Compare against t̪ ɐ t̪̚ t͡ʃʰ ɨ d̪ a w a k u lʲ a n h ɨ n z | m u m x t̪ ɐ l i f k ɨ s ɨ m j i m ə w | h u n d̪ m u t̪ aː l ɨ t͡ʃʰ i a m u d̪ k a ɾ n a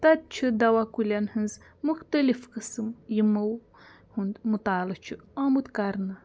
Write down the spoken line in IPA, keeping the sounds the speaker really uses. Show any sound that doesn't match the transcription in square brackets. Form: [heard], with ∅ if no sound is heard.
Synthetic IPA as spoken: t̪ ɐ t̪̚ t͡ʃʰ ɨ d̪ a w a k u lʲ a n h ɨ n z | m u [∅] x t̪ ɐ l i f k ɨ s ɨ m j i m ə w | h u n d̪ m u t̪ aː l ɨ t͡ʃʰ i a m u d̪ k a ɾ n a